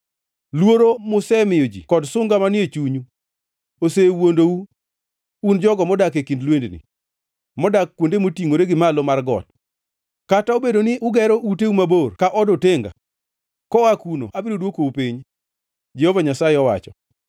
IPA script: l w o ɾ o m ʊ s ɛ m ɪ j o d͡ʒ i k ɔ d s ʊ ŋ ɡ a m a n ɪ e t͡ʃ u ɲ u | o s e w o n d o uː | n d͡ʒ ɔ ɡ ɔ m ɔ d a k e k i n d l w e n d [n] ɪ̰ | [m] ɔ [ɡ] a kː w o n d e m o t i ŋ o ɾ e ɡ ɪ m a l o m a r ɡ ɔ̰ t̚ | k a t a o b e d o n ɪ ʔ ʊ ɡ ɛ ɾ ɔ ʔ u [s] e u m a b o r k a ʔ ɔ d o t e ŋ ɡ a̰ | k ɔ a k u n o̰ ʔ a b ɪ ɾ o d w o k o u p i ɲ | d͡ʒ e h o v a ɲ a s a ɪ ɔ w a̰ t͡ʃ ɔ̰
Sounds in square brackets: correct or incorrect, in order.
correct, correct, incorrect: d, incorrect: t

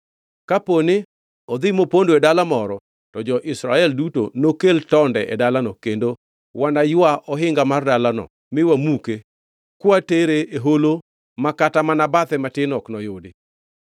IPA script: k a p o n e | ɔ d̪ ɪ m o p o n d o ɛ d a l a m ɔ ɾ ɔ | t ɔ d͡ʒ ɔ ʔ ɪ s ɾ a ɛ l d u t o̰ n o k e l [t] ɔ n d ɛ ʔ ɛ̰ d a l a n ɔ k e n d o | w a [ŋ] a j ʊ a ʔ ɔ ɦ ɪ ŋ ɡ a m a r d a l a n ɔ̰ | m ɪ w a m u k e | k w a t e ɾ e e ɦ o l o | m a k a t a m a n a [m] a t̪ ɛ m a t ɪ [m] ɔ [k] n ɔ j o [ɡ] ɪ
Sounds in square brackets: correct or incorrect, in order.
correct, incorrect: n, incorrect: b, incorrect: n, correct, incorrect: d

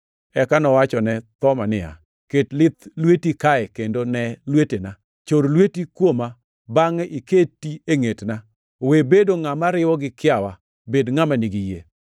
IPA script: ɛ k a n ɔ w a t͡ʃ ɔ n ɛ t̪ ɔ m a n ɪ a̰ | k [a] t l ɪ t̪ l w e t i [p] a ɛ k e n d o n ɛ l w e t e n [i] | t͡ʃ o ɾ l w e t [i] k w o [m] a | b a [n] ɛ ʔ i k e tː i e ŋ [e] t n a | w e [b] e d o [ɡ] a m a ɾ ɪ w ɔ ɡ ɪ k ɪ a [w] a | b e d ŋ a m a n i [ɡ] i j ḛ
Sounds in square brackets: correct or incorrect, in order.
incorrect: e, incorrect: k, incorrect: a, correct, correct, incorrect: ŋ, correct, correct, incorrect: ŋ, correct, correct

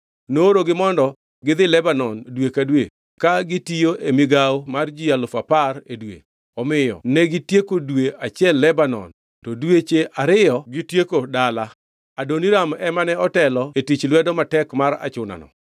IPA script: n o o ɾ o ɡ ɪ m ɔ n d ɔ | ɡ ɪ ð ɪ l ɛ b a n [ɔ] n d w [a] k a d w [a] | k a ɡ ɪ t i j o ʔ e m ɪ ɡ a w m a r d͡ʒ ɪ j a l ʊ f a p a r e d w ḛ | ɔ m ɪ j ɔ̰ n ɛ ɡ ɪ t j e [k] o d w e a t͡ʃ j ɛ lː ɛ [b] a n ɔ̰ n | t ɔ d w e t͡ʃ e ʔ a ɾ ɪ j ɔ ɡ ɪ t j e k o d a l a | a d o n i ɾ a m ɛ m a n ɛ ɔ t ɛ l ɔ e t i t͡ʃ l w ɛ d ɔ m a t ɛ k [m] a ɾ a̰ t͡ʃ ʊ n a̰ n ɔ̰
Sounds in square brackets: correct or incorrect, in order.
correct, incorrect: e, incorrect: e, correct, correct, correct

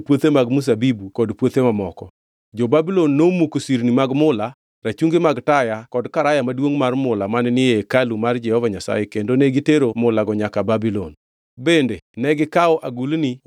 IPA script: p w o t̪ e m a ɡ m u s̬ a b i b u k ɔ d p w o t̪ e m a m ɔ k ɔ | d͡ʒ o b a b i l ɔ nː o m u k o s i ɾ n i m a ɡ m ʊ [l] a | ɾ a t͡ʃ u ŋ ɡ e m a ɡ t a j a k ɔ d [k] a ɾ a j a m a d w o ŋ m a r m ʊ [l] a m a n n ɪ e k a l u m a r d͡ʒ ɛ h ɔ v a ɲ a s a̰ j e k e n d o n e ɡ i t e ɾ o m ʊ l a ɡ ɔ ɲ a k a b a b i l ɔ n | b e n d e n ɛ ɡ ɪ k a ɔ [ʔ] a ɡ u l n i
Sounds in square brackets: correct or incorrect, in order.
correct, correct, correct, correct

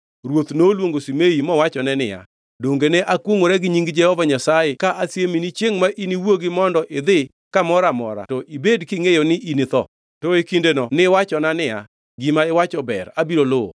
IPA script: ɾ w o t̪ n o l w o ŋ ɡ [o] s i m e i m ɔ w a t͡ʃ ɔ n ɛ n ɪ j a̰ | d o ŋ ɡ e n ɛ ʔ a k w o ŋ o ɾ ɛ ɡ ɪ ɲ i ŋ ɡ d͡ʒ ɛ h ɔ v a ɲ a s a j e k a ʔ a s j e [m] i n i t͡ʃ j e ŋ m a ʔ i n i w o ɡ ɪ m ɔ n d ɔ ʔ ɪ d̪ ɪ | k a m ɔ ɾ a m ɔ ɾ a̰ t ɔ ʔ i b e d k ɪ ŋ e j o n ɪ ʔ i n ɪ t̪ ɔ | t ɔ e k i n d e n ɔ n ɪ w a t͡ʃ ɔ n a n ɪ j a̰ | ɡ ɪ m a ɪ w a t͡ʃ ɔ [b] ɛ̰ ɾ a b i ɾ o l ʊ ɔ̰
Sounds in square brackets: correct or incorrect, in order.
correct, correct, correct

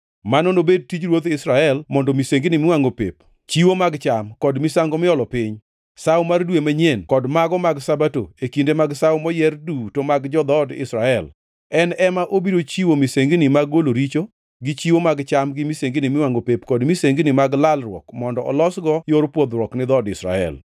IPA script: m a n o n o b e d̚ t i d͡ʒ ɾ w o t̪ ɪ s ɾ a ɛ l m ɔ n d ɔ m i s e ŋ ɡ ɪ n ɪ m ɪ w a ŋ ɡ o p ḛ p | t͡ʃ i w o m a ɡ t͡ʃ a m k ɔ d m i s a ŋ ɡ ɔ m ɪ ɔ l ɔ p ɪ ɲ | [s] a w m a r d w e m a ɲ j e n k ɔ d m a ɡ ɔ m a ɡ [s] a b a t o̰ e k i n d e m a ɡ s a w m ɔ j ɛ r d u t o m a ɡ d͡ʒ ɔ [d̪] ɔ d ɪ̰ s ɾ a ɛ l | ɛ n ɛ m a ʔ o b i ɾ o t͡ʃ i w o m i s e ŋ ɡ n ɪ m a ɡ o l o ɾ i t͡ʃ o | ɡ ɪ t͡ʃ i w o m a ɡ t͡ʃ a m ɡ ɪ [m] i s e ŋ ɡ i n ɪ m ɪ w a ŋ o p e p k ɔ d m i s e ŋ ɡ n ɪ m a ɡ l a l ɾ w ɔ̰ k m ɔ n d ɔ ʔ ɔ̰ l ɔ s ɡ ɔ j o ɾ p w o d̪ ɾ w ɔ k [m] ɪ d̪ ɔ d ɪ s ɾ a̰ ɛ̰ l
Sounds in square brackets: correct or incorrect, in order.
correct, correct, correct, correct, incorrect: n

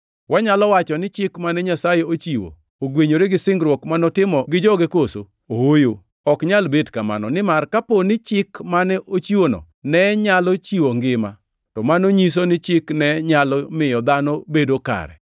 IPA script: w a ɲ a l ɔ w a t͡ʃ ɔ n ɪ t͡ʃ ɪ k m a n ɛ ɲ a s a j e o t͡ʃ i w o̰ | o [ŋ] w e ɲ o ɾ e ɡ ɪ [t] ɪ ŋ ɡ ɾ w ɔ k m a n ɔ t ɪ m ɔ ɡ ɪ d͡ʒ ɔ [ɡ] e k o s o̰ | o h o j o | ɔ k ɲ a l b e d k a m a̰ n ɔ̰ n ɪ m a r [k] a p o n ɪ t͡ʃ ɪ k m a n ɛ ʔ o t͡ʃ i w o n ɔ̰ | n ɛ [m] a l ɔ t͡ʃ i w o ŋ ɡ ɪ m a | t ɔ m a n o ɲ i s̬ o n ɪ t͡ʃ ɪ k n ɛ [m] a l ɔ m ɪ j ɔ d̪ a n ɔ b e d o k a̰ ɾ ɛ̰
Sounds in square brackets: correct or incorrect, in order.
incorrect: ɡ, incorrect: s, correct, correct, incorrect: ɲ, incorrect: ɲ

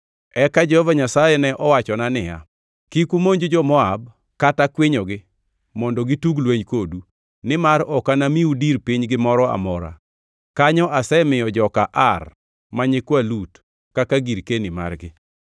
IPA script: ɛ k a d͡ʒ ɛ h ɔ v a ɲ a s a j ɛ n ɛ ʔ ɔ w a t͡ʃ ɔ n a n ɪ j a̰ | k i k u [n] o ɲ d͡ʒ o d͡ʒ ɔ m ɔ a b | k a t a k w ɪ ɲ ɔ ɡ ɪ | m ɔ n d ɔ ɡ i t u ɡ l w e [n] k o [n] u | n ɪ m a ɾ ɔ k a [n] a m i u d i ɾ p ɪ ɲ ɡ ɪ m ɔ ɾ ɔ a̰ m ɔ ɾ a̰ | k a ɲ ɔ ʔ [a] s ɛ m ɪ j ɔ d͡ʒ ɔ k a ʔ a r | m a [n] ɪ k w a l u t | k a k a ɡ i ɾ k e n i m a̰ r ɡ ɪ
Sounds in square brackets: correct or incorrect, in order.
incorrect: m, incorrect: ɲ, incorrect: d, correct, correct, incorrect: ɲ

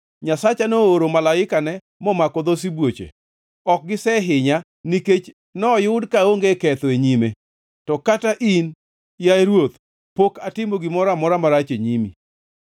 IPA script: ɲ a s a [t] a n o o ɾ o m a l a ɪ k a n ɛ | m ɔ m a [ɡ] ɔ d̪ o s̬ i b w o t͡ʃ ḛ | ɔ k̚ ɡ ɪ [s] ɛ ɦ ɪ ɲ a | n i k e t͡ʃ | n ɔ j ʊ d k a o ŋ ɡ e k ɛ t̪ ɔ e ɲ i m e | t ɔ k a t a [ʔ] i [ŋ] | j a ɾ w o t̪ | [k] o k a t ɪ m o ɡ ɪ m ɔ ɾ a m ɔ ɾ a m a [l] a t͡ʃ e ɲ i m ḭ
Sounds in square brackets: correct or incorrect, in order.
incorrect: t͡ʃ, incorrect: k, correct, correct, incorrect: n, incorrect: p, incorrect: ɾ

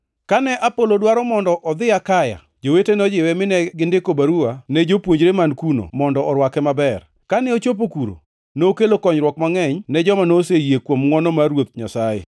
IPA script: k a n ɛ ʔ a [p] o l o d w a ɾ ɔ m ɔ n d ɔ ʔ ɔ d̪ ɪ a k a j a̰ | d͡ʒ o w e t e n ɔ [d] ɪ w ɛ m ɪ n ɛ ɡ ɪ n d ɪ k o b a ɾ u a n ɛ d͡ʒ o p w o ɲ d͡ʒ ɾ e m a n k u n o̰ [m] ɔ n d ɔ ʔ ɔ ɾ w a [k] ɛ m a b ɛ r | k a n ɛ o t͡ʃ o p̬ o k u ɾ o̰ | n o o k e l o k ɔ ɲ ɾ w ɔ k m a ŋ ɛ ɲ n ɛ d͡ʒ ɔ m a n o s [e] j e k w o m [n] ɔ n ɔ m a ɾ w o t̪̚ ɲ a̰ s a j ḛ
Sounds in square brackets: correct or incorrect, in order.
correct, incorrect: d͡ʒ, correct, correct, correct, incorrect: ŋ

